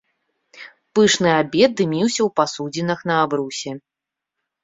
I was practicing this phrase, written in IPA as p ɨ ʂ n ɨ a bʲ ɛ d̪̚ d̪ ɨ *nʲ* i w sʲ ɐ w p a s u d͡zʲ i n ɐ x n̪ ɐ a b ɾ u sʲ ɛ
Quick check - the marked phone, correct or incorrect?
incorrect